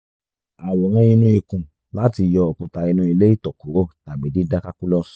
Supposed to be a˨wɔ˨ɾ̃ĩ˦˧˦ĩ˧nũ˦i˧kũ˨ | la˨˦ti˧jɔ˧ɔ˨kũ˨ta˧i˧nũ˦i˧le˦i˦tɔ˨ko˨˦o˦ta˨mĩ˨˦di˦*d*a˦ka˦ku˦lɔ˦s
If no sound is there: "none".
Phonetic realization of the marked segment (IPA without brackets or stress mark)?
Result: d